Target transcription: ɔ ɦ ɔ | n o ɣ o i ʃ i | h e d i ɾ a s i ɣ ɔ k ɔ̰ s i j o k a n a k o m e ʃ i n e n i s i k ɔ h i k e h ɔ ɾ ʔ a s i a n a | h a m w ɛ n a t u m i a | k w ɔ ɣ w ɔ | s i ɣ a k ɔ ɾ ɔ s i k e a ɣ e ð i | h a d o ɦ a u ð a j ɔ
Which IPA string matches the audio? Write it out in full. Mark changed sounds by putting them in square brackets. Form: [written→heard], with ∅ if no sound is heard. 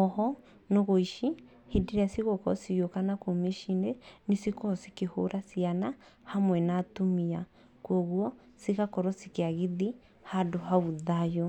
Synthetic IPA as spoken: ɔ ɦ ɔ | n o ɣ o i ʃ i | h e d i ɾ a s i ɣ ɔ k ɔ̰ s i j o k a n a k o m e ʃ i n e n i s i k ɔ [h→s] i k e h [ɔ→o] ɾ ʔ a s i a n a | h a m w ɛ n a t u m i a | k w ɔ ɣ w ɔ | s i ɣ a k ɔ ɾ ɔ s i k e a ɣ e ð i | h a d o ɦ a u ð a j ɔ